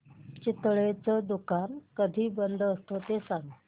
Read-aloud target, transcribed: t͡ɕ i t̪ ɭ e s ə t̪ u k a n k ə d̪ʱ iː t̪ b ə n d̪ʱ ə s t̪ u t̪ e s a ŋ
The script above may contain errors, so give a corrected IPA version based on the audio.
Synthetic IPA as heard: t͡ɕ i t̪ ɭ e t͡s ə d̪ u k a n k ə d̪ʱ iː b ə n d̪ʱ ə s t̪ o t̪ e s a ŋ